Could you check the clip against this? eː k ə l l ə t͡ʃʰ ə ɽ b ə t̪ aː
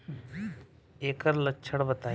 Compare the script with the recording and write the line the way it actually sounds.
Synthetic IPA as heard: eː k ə ɾ l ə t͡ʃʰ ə ɽ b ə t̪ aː